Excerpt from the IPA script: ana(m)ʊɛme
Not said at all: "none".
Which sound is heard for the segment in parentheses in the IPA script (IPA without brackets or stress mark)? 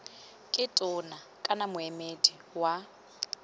m